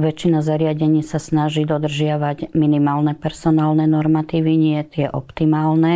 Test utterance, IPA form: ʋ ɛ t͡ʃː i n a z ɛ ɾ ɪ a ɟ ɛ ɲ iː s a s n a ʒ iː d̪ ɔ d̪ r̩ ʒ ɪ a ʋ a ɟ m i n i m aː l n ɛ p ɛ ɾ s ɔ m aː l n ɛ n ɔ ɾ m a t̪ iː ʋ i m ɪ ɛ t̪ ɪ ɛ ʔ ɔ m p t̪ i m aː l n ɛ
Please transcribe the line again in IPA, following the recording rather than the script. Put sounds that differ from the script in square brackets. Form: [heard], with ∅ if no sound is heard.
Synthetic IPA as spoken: ʋ ɛ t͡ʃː i n a z [a] ɾ ɪ a ɟ ɛ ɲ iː s a s n a ʒ iː d̪ ɔ d̪ r̩ ʒ ɪ a ʋ a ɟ m i n i m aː l n ɛ p ɛ ɾ s ɔ [n] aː l n ɛ n ɔ ɾ m a t̪ iː ʋ i [ɲ] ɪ ɛ t̪ ɪ ɛ ʔ ɔ [∅] p t̪ i m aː l n ɛ